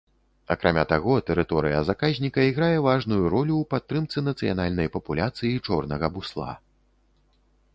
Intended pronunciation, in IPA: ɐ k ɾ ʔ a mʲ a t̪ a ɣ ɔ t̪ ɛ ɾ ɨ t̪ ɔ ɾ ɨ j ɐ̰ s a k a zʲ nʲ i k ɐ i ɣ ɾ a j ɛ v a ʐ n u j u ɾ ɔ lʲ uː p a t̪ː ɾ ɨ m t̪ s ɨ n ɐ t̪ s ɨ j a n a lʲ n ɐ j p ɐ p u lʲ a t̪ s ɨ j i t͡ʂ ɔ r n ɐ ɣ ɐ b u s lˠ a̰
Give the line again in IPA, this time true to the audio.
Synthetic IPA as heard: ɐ k ɾ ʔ a mʲ a t̪ a ɣ ɔ t̪ ɛ ɾ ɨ t̪ ɔ ɾ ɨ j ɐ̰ z a k a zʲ nʲ i k ɐ i ɣ ɾ a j ɛ v a ʐ n u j u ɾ ɔ lʲ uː p a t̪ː ɾ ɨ m t̪ s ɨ n ɐ t̪ s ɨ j a n a lʲ n ɐ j p ɐ p u lʲ a t̪ s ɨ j i t͡ʂ ɔ r n ɐ ɣ ɐ b u s lˠ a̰